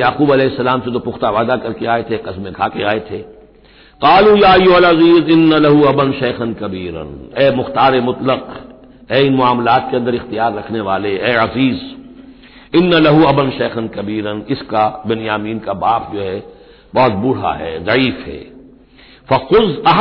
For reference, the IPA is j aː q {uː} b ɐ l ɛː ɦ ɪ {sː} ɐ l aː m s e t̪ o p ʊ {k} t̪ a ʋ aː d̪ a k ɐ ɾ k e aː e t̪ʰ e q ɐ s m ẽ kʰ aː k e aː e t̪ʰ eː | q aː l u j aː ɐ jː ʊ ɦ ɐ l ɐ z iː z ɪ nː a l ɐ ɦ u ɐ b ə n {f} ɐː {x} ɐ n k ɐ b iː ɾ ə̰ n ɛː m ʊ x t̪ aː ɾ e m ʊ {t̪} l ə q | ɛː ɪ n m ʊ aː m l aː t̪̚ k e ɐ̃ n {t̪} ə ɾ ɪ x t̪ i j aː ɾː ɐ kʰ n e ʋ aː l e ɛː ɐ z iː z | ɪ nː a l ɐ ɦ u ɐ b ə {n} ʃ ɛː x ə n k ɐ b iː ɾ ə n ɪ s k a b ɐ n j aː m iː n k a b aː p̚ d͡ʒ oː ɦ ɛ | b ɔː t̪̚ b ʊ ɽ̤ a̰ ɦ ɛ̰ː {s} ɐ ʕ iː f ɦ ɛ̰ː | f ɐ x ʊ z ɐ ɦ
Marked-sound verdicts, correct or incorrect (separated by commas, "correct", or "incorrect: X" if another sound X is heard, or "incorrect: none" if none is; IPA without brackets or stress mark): correct, correct, incorrect: x, incorrect: ʃ, correct, correct, incorrect: d̪, correct, incorrect: z